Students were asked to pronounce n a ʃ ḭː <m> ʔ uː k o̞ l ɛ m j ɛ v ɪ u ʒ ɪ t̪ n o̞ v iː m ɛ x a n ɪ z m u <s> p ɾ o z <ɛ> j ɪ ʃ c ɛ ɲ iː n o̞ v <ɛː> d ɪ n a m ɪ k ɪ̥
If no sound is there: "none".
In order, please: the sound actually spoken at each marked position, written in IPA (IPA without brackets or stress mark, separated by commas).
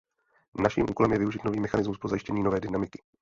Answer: m, s, a, ɛː